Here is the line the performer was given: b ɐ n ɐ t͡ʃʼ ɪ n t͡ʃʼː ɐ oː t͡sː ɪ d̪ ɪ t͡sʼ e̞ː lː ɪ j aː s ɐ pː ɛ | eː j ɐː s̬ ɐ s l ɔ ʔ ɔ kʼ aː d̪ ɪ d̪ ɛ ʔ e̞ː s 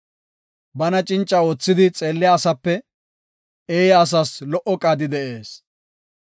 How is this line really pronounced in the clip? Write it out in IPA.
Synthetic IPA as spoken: b ɐ n ɐ t͡ʃʼ ɪ n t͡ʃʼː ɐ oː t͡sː ɪ d̪ ɪ t͡sʼ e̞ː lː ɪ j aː s ɐ pː ɛ | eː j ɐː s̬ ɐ s l ɔ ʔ ɔ kʼ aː d̪ ɪ d̪ ɛ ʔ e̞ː s